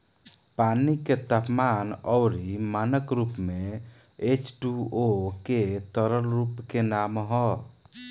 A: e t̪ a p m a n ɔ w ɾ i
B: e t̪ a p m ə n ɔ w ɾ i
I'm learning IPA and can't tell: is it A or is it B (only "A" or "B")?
A